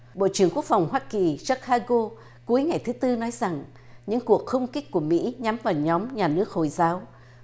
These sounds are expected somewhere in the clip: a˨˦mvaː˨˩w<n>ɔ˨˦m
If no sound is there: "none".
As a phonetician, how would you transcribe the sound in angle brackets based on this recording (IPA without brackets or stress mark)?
ɲ